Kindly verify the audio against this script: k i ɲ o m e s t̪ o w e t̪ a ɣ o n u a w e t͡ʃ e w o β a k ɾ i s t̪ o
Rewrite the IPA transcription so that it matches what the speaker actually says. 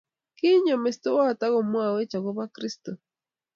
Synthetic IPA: k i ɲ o m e s t̪ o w a t̪ a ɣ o m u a w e t͡ʃ a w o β a k ɾ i s t̪ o